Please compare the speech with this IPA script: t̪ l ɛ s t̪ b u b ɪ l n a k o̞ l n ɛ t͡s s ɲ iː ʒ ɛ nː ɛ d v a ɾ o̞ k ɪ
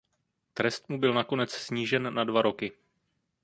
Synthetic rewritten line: t̪ ɾ ɛ s t̪ m u b ɪ l n a k o̞ n ɛ t͡s s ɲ iː ʒ ɛ nː a d v a ɾ o̞ k ɪ